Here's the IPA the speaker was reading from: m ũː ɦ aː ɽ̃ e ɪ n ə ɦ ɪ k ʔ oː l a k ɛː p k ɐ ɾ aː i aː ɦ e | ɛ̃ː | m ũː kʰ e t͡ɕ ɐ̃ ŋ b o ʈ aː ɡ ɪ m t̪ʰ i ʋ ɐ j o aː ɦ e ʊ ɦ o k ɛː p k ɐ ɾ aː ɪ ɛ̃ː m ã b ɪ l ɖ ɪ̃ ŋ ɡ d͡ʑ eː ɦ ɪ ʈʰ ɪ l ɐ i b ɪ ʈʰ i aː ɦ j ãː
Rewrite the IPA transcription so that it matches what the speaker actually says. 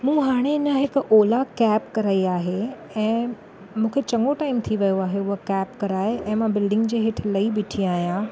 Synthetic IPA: m ũː ɦ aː ɽ̃ e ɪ n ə ɦ ɪ k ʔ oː l a k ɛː p k ɐ ɾ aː i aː ɦ e | ɛ̃ː | m ũː kʰ e t͡ɕ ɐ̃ ŋ ɡ o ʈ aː ɪ m t̪ʰ i ʋ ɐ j o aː ɦ e ʊ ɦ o k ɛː p k ɐ ɾ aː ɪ ɛ̃ː m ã b ɪ l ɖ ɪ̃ ŋ ɡ d͡ʑ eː ɦ ɪ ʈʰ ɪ l ɐ i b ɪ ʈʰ i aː ɦ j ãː